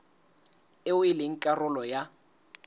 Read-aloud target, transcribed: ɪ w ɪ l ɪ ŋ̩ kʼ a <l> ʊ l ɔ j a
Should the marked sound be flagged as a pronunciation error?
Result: yes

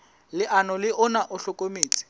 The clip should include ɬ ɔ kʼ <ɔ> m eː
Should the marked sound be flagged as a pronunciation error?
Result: yes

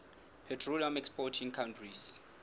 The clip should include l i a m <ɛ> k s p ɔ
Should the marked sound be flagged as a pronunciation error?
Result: no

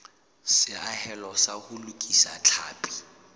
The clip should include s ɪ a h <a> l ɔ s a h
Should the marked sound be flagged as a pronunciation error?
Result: yes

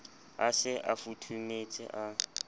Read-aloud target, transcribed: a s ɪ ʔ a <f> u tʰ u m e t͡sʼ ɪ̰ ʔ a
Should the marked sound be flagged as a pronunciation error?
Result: no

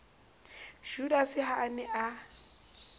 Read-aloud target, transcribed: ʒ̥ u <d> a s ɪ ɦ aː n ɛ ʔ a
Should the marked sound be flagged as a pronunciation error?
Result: no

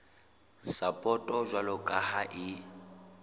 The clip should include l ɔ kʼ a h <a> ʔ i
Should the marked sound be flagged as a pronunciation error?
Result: no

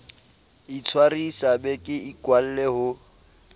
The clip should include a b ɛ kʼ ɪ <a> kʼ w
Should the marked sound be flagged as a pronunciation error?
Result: yes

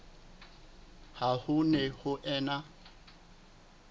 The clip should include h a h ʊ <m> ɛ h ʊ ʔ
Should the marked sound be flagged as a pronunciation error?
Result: yes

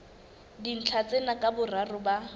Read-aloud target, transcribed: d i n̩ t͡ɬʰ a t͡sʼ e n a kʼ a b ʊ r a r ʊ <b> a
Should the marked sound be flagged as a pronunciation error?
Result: no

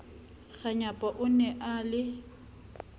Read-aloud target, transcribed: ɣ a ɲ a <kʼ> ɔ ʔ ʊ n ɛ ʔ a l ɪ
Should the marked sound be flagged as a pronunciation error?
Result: yes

